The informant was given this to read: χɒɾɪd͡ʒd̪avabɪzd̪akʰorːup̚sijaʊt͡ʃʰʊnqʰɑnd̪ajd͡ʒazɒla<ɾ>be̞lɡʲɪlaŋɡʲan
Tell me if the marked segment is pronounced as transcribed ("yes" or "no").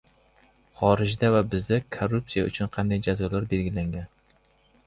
yes